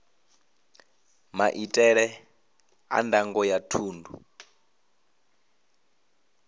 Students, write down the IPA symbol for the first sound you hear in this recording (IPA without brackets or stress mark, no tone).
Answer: m